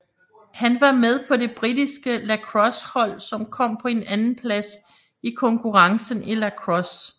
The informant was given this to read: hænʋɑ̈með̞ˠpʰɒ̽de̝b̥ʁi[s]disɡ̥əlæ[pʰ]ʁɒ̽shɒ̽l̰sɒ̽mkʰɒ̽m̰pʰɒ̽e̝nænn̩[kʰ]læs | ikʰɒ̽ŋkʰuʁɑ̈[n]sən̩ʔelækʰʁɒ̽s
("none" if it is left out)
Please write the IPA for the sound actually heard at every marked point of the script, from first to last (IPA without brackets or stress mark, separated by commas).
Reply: none, kʰ, pʰ, ŋ